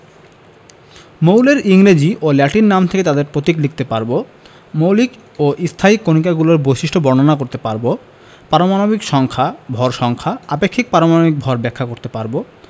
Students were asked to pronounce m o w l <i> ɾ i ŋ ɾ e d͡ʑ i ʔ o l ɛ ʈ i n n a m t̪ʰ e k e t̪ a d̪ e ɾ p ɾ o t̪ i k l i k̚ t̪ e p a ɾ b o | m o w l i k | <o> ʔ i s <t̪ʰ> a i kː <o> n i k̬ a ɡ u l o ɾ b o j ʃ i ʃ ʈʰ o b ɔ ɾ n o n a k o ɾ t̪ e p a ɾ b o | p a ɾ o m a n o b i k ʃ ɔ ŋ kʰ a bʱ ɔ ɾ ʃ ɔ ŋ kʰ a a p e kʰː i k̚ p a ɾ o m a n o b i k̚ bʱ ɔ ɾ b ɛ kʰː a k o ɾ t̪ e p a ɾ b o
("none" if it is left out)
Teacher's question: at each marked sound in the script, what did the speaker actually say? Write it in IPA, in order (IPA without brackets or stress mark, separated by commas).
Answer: e, o, t̪ʰ, o